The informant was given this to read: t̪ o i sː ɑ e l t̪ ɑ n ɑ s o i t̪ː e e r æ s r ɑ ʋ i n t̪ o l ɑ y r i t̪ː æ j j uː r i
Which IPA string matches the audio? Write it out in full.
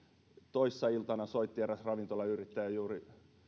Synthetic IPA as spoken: t̪ o i sː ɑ i l t̪ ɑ n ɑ s o i t̪ː i e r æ s r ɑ ʋ i n t̪ o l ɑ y r i t̪ː æ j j uː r i